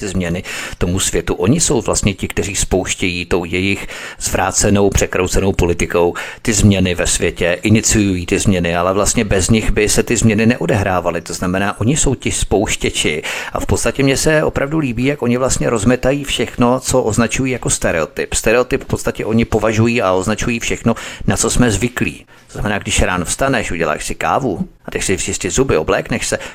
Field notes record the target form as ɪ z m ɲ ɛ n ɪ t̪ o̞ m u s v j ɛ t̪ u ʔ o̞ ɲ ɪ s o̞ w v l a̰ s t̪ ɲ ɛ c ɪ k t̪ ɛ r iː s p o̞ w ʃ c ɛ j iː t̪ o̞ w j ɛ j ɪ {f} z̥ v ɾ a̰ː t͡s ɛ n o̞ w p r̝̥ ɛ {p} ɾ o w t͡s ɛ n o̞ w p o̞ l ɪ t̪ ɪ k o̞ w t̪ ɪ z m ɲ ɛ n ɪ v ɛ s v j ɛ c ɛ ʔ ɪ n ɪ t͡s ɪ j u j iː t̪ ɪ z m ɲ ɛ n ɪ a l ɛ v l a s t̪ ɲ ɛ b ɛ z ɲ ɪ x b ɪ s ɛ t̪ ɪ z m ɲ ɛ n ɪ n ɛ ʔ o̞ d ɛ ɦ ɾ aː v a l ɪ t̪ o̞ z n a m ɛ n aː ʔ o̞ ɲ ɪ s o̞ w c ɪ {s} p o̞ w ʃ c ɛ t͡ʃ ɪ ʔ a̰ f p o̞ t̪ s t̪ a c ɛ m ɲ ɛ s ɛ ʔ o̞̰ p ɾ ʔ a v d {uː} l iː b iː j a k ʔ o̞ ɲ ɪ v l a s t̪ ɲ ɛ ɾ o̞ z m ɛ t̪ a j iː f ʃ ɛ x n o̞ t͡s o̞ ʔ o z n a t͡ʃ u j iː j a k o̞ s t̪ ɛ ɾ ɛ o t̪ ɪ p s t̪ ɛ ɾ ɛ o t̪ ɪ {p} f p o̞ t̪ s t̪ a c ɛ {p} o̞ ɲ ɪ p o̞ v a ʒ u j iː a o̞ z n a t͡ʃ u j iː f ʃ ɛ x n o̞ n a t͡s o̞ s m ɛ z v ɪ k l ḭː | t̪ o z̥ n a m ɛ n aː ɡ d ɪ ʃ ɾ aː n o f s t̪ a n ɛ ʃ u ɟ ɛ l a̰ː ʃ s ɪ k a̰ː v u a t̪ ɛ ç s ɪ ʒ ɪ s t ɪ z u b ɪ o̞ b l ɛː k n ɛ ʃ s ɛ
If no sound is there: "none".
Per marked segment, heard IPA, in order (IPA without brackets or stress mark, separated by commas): x, k, s, u, p, ʔ